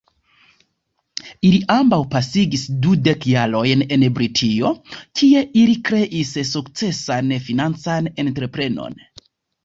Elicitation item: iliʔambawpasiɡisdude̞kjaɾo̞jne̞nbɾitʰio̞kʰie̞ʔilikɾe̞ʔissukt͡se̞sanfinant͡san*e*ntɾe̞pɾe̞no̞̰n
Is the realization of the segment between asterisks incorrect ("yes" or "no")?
no